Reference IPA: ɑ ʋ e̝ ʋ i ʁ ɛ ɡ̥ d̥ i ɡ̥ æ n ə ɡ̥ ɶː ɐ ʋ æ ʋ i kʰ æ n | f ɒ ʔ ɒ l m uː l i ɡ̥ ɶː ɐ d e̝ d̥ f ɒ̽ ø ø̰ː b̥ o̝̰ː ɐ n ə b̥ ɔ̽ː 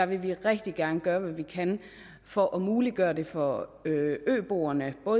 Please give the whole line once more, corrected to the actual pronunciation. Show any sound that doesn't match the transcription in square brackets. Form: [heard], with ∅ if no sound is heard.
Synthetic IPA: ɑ ʋ e̝ ʋ i ʁ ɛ ɡ̥ d̥ i ɡ̥ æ n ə ɡ̥ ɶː ɐ ʋ æ ʋ i kʰ æ n | f ɒ ʔ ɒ [∅] m uː l i ɡ̥ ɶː ɐ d e̝ [∅] f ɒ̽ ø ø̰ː b̥ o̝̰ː ɐ n ə b̥ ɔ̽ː